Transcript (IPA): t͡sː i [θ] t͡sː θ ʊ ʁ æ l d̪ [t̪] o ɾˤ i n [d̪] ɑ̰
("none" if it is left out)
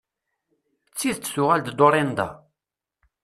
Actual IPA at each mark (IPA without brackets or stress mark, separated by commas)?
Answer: ð, d̪, d̪